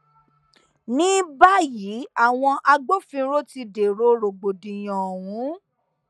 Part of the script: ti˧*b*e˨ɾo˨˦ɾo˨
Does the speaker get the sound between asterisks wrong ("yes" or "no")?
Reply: yes